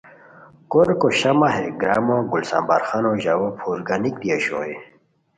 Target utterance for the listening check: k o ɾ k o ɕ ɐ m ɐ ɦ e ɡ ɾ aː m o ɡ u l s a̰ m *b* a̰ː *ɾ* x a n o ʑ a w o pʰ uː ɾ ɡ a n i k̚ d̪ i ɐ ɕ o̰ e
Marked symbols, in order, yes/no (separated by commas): yes, yes